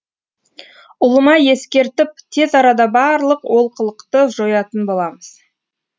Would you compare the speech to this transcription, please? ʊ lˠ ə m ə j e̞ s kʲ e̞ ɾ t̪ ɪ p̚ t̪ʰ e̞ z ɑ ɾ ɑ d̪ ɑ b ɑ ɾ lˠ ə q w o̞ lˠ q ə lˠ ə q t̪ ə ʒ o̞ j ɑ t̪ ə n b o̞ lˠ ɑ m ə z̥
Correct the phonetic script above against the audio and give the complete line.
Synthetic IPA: ʊ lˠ ə m ɑ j e̞ s kʲ e̞ ɾ t̪ ɪ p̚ t̪ʰ e̞ z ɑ ɾ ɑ d̪ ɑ b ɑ ɾ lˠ ə q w o̞ lˠ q ə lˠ ə q t̪ ə ʒ o̞ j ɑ t̪ ə n b o̞ lˠ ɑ m ə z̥